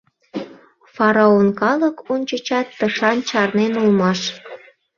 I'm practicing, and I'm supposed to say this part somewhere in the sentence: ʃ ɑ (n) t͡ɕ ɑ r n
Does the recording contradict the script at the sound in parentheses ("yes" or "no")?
no